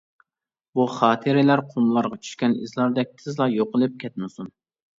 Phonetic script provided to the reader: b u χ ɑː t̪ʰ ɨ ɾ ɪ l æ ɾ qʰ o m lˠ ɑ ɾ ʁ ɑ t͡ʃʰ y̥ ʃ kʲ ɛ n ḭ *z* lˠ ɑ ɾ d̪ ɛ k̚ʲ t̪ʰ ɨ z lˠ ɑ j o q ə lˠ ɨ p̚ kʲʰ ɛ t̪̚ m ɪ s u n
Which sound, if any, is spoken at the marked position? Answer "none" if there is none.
z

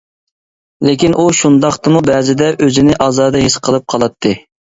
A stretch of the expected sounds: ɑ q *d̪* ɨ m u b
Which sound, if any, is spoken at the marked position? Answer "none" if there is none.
t̪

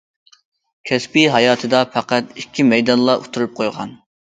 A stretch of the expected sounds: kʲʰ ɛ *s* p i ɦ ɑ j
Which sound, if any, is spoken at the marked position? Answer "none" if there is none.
s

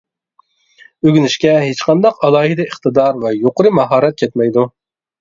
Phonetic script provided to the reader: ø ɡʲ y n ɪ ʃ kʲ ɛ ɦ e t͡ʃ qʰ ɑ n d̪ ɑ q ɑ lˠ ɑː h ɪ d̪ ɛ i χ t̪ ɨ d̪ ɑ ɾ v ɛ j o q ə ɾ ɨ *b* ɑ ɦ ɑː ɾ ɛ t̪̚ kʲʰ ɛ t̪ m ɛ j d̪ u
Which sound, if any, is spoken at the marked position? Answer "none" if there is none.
m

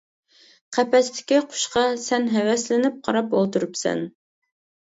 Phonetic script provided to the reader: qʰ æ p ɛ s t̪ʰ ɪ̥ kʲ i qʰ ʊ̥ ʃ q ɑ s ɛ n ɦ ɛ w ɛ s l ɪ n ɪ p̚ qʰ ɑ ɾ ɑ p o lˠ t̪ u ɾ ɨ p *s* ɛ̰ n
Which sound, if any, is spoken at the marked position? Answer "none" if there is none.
s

